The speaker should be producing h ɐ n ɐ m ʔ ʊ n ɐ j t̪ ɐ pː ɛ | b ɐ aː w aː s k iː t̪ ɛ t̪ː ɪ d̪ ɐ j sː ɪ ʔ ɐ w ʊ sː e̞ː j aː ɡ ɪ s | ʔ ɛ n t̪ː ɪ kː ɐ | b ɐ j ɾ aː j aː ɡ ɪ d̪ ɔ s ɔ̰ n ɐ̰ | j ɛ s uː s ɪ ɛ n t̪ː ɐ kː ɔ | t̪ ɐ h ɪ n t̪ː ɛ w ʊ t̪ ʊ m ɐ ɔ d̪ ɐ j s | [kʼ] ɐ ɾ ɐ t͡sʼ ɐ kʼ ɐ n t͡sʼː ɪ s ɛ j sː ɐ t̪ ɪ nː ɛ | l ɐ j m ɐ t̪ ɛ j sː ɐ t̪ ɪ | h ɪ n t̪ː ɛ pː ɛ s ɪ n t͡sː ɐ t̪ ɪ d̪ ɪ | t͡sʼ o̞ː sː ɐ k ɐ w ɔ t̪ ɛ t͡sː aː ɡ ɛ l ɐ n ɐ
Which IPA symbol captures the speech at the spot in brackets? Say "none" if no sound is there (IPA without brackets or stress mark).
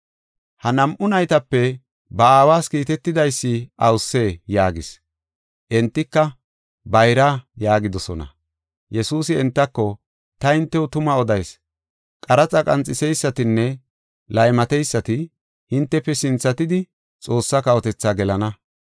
kʼ